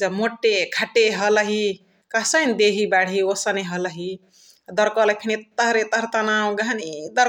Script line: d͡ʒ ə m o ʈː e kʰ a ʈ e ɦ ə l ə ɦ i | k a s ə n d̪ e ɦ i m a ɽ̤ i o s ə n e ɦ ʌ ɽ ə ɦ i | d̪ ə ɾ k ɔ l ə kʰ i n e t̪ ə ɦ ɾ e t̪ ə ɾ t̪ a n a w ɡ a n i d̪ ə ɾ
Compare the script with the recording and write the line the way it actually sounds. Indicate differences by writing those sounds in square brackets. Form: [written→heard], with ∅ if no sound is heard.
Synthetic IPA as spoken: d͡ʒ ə m o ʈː e kʰ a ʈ e ɦ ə l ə ɦ i | k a s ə n d̪ e ɦ i [m→b] a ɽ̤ i o s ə n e ɦ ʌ [ɽ→l] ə ɦ i | d̪ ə ɾ k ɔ l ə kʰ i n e t̪ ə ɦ ɾ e t̪ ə ɾ t̪ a n a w ɡ a n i d̪ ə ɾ